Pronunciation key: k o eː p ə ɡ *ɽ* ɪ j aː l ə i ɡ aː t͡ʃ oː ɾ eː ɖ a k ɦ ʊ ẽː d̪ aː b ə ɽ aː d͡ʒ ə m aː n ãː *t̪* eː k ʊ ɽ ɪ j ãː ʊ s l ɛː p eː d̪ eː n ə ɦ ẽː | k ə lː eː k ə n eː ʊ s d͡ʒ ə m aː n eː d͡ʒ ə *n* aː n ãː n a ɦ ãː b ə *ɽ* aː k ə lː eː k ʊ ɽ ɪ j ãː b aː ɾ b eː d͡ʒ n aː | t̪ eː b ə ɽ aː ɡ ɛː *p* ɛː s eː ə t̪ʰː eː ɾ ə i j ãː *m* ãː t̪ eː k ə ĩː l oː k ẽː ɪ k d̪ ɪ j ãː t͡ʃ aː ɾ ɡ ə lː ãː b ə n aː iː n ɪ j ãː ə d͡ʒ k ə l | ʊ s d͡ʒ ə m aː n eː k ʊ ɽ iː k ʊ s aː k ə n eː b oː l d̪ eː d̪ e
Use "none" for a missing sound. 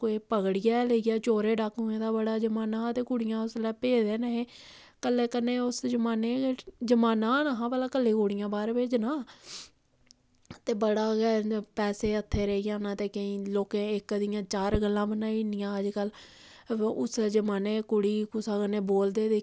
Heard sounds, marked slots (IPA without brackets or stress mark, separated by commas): ɽ, t̪, m, l, p, n